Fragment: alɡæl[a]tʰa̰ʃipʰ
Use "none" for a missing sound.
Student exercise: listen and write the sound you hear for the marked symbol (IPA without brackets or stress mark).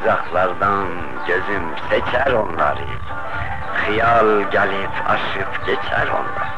i